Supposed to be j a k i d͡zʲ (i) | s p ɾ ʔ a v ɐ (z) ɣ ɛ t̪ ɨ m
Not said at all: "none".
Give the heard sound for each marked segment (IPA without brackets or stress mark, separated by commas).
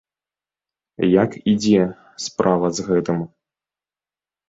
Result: ɛ, z